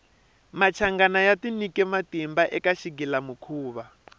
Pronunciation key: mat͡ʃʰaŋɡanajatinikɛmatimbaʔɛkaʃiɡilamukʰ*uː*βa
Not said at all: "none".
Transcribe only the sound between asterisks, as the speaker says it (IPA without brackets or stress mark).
uː